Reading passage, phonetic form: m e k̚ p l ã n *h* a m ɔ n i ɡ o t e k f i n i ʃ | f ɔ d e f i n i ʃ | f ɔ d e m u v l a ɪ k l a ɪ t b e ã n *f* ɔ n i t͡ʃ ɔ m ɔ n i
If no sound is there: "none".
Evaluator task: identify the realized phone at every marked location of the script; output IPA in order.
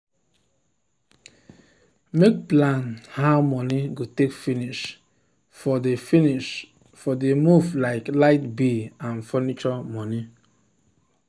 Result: h, f

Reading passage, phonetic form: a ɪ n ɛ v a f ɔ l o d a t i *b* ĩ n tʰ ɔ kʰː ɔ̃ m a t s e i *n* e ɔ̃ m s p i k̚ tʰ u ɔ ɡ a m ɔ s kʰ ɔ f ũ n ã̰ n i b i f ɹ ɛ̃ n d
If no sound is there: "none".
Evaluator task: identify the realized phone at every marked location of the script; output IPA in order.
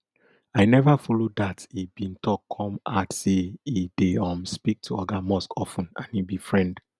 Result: b, d

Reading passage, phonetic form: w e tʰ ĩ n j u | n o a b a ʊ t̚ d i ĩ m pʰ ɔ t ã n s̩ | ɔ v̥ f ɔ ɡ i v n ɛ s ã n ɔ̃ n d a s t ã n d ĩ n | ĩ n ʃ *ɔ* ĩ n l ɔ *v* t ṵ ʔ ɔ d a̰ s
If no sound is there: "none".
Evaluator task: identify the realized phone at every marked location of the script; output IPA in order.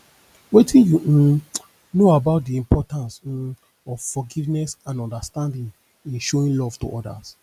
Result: o, v

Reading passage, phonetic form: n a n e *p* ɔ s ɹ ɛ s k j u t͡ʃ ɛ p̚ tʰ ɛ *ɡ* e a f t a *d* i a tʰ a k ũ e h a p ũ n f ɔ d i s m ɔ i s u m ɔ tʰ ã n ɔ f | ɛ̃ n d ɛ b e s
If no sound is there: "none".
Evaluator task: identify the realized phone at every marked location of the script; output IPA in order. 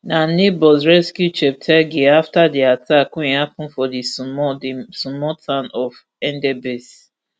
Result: b, ɡ, d

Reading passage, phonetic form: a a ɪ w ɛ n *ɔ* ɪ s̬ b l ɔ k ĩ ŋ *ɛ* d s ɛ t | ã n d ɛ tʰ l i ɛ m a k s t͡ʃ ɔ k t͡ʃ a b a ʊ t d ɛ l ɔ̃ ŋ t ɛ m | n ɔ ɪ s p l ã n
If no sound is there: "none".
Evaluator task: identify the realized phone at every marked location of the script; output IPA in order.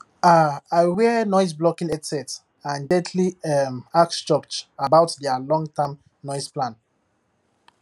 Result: ɔ, ɛ

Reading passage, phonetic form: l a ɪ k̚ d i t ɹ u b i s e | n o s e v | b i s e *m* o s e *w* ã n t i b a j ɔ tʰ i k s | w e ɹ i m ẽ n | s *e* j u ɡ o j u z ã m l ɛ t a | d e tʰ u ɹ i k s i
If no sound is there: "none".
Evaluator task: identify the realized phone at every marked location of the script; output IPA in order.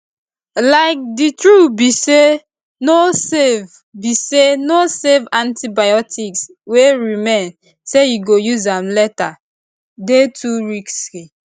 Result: n, v, e

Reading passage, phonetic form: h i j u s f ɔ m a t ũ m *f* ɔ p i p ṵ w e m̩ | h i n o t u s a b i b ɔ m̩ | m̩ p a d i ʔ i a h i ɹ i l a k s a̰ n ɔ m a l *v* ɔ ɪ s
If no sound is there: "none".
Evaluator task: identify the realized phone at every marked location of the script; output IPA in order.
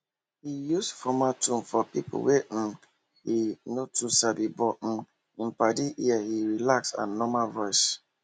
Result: f, v

